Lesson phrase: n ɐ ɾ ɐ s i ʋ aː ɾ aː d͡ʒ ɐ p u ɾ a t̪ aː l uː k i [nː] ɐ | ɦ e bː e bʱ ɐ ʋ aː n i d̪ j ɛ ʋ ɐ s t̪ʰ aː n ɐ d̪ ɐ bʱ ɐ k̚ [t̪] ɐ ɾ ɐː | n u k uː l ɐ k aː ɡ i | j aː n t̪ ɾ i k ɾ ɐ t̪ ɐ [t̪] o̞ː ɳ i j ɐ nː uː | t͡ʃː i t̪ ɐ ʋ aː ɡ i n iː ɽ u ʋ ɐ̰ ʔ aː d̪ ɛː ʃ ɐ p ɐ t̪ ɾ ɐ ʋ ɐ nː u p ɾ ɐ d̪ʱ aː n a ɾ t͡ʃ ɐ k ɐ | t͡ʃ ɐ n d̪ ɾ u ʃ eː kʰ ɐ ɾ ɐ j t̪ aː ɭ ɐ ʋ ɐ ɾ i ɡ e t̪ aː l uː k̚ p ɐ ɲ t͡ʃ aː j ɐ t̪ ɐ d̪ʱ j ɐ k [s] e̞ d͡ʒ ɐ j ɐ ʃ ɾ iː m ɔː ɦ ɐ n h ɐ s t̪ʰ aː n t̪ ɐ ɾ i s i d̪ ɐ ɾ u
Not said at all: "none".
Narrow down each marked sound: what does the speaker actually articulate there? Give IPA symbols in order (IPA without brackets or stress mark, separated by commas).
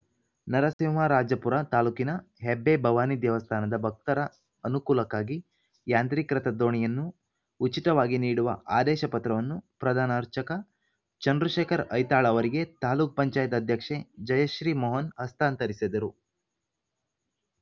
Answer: n, t̪, d̪, ʂ